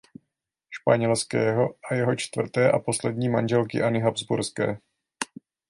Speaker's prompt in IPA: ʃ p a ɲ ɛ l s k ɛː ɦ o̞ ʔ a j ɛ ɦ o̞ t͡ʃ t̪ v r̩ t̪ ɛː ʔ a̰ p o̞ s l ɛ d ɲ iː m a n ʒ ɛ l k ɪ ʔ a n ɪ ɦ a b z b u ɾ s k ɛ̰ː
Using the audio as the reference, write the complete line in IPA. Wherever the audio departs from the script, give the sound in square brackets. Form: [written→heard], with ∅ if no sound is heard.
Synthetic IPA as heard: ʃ p a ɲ ɛ l s k ɛː ɦ o̞ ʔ a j ɛ ɦ o̞ t͡ʃ t̪ v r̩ t̪ ɛː ʔ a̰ p o̞ s l ɛ d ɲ iː m a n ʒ ɛ l k ɪ ʔ a n ɪ ɦ a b z b u ɾ s k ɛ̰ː